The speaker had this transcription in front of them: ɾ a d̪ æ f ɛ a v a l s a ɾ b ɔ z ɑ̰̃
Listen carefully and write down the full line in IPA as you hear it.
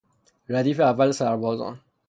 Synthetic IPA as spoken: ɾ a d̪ i f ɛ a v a l s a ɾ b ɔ z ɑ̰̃